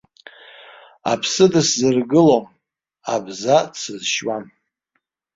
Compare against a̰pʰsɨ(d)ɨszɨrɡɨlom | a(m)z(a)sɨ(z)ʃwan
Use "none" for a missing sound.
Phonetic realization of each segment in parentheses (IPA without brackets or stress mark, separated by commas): d, b, a, z